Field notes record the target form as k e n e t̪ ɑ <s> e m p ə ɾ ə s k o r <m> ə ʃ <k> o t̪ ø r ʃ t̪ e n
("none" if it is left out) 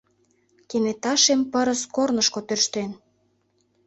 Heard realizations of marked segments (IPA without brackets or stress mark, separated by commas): ʃ, n, k